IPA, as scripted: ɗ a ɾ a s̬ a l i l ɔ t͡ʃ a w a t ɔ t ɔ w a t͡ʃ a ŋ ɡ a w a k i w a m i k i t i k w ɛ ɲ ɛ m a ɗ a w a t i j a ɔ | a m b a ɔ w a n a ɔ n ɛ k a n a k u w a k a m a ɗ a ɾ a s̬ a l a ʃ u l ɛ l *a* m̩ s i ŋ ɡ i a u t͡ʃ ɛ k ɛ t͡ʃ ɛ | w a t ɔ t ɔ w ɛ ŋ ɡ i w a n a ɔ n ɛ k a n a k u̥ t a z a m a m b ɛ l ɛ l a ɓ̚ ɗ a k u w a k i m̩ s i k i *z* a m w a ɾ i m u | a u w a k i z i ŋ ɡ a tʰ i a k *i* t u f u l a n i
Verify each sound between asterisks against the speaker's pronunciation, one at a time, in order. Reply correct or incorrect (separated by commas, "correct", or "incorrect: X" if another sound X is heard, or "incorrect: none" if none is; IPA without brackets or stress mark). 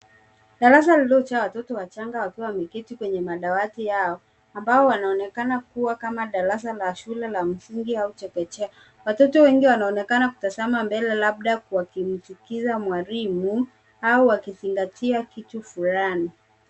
correct, correct, correct